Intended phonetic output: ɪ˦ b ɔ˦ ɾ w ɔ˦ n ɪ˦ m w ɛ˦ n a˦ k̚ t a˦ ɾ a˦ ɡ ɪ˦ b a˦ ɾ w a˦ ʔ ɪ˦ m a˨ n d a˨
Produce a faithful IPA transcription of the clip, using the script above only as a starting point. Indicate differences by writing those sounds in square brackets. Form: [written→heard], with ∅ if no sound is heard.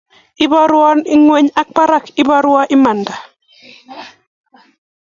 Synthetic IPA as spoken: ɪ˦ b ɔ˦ ɾ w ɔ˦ n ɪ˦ [m→ŋ] w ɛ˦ [n→ɲ] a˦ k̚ [t→p] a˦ ɾ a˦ [ɡ→k] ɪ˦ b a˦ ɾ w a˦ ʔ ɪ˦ m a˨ n d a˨